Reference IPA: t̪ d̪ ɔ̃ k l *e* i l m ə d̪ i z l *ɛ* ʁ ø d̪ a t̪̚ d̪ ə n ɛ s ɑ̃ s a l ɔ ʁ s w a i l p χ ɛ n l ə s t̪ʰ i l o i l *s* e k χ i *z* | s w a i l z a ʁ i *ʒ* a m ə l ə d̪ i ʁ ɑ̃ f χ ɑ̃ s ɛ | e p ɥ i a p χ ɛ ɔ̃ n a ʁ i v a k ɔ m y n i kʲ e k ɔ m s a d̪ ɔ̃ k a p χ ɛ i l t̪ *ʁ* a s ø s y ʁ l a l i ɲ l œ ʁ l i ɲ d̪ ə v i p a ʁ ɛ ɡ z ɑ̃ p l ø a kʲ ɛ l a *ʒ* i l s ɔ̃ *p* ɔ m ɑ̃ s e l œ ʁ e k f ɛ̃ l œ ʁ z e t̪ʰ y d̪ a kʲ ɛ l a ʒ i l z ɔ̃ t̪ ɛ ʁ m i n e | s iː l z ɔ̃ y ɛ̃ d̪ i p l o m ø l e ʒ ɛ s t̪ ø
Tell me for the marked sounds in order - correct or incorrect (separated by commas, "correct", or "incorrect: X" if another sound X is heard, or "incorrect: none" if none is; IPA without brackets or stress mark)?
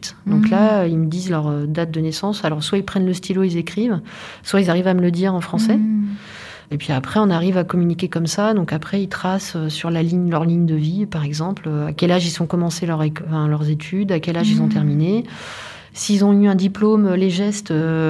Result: incorrect: a, incorrect: œ, incorrect: z, incorrect: v, incorrect: v, incorrect: χ, correct, incorrect: k